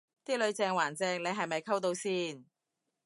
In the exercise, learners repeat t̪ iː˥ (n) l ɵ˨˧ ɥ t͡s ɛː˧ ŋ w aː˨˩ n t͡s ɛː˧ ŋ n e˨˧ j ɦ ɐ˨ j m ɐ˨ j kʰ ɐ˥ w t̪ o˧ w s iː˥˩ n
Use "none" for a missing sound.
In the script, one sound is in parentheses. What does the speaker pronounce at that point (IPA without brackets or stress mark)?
none